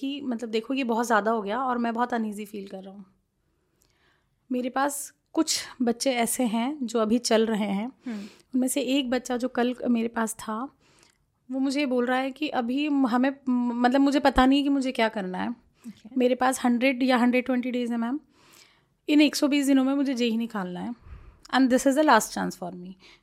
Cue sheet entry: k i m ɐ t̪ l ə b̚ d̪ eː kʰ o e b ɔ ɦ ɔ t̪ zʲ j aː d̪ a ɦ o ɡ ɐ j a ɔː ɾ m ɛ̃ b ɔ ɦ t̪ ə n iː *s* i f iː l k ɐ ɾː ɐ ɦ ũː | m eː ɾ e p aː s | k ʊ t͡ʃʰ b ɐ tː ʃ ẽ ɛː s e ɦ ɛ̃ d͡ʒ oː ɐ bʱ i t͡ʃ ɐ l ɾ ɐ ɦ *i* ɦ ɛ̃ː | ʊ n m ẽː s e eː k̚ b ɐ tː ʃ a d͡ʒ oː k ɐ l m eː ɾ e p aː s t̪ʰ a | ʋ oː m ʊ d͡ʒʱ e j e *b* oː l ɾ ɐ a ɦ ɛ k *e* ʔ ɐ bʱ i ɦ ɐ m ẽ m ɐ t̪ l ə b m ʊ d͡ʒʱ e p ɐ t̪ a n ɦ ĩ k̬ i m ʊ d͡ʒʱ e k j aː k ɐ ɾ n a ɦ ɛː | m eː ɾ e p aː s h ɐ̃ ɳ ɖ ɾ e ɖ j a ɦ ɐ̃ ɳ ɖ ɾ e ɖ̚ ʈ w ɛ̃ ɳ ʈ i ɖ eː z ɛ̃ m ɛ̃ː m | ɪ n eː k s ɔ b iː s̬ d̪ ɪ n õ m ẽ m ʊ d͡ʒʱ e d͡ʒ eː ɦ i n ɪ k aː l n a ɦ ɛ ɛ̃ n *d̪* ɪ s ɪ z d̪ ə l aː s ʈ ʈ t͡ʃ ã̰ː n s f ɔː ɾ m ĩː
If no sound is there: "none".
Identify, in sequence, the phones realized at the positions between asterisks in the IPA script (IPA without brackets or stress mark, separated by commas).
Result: z, e, b, i, d̪